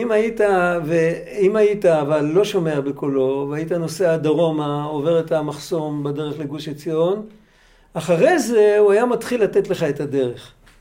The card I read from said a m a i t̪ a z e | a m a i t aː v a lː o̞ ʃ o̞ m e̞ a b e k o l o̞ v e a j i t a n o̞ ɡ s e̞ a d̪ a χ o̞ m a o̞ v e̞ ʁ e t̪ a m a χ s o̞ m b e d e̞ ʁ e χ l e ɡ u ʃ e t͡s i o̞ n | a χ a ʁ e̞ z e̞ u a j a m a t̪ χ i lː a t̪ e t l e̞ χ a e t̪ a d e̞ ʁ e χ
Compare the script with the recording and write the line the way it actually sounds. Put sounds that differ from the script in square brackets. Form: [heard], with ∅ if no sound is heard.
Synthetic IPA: [i] m a i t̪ a [v] e | [i] m a i t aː v a lː o̞ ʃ o̞ m e̞ a b e k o l o̞ v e a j i t a n o̞ [∅] s e̞ a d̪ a [ʁ] o̞ m a o̞ v e̞ ʁ e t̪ a m a χ s o̞ m b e d e̞ ʁ e χ l e ɡ u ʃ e t͡s i o̞ n | a χ a ʁ e̞ z e̞ u a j a m a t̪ χ i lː a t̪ e t l e̞ χ a e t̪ a d e̞ ʁ e χ